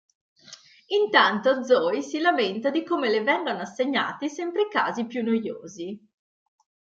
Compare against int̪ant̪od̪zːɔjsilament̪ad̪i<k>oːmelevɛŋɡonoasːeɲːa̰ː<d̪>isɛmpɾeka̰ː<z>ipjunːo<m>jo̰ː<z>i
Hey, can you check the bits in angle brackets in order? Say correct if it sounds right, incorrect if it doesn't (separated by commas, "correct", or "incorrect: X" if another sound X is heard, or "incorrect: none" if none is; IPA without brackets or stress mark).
correct, incorrect: t̪, correct, incorrect: none, correct